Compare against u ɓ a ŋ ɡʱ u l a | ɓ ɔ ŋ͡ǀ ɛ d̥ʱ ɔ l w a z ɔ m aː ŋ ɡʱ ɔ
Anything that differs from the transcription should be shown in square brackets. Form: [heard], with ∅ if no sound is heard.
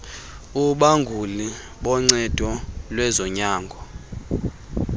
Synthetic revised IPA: u ɓ a ŋ ɡʱ u l [i] | ɓ ɔ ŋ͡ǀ ɛ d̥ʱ ɔ l w [ɛ] z ɔ [ɲ] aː ŋ ɡʱ ɔ